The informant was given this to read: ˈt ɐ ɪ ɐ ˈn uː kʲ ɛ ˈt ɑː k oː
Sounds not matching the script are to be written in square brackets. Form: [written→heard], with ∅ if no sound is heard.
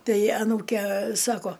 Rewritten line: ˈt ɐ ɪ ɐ ˈn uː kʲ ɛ [ˈt→ˈs] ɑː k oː